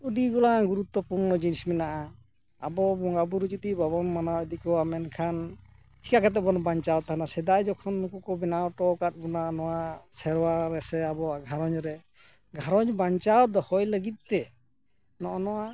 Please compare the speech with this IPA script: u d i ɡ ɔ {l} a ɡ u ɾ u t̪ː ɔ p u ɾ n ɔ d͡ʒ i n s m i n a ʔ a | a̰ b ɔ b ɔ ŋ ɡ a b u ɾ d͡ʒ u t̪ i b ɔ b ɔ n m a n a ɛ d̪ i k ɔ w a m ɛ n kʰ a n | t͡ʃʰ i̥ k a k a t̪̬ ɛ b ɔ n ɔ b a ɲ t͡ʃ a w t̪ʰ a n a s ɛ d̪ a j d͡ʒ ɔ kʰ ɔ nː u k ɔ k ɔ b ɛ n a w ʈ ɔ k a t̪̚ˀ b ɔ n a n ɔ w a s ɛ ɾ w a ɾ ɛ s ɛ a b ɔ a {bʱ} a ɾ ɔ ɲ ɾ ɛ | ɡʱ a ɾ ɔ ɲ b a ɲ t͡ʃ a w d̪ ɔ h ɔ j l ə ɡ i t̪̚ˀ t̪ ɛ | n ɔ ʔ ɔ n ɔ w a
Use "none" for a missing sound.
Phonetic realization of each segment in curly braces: l, ɡʱ

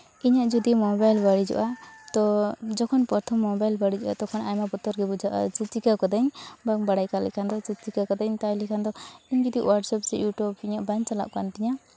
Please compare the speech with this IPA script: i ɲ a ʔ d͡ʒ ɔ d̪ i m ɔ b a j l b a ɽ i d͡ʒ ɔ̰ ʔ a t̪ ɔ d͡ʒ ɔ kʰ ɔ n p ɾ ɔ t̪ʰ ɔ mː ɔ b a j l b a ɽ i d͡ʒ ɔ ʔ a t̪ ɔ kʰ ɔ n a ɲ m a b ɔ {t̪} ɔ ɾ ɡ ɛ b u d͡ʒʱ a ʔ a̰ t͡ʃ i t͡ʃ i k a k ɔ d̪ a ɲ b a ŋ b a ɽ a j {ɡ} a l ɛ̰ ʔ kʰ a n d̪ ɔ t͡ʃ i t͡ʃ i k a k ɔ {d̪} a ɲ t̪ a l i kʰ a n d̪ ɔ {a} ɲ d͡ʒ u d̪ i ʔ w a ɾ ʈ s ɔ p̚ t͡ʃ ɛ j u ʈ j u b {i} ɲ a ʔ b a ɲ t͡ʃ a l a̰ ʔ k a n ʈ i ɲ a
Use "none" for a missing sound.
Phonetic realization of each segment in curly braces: t̪, k, d̪, i, i

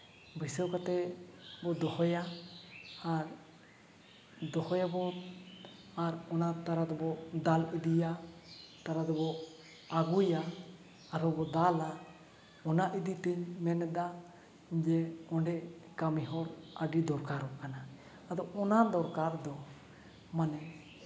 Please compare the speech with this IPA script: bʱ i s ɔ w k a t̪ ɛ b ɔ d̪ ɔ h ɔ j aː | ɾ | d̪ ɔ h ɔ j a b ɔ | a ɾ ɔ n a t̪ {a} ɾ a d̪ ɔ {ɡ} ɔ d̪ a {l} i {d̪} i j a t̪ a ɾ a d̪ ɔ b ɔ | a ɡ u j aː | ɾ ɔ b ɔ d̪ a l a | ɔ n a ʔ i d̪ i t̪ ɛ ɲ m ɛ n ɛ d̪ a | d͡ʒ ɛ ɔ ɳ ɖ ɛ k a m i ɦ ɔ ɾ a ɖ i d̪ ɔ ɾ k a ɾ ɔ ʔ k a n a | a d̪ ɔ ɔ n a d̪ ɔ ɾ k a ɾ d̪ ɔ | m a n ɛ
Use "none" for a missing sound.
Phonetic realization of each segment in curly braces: a, b, l, d̪

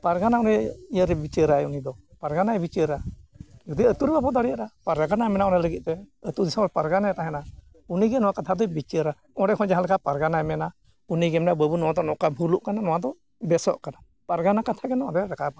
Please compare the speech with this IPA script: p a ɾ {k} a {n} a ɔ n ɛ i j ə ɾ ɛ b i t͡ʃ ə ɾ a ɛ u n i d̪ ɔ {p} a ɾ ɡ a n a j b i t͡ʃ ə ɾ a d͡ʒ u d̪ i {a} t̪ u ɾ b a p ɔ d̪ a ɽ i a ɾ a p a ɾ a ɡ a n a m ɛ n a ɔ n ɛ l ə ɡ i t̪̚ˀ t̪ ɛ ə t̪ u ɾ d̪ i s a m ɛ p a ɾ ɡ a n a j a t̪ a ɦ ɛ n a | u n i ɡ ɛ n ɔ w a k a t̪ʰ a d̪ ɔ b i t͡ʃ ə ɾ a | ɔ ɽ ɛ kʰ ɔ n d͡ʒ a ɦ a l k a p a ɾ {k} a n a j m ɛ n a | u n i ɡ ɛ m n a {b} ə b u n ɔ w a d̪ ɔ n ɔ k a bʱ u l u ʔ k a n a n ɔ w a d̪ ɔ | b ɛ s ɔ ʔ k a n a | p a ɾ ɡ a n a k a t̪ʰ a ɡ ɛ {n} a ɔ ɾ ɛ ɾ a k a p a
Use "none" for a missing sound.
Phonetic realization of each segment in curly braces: ɡ, n, p, ə, ɡ, b, n

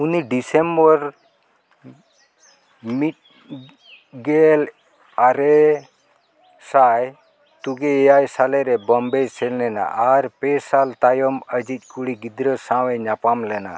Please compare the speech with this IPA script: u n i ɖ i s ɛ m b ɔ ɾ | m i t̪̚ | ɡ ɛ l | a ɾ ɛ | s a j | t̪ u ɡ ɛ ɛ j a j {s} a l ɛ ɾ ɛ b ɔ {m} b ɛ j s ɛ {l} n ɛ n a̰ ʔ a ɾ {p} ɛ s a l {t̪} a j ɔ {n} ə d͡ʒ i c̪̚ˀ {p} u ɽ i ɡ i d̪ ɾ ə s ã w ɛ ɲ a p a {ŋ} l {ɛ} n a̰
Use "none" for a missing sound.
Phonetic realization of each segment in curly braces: s, m, l, p, t̪, m, k, m, ɛ

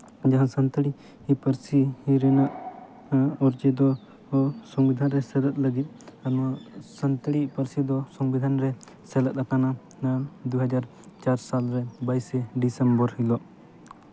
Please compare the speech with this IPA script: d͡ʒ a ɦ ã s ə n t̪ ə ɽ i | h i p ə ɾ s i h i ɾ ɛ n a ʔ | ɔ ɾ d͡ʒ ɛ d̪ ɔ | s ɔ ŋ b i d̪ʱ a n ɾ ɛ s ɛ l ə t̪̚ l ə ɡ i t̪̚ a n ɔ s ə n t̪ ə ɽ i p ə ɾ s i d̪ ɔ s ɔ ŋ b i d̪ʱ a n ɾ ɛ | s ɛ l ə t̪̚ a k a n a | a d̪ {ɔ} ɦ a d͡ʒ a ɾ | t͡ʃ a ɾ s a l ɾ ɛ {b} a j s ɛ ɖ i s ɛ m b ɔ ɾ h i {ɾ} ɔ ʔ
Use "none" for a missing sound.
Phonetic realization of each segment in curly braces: u, b, l

